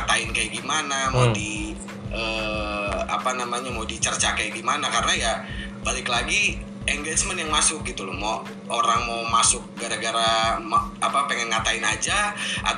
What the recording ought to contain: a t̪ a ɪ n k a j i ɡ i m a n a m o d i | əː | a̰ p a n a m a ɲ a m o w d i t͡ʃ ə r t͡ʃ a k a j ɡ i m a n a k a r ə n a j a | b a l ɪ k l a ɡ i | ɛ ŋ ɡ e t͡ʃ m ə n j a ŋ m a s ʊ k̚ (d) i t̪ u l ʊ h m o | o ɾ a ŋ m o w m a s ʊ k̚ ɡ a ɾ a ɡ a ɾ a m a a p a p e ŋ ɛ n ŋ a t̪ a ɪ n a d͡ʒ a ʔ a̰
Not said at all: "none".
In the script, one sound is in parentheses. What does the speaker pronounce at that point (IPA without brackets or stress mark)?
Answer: ɡ